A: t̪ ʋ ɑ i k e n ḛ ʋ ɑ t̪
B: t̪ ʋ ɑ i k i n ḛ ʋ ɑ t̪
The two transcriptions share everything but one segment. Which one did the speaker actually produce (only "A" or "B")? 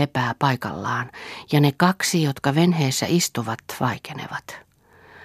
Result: A